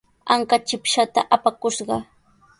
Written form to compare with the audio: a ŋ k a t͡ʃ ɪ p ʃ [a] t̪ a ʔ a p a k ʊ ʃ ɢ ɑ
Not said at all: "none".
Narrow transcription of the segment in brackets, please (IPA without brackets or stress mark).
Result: a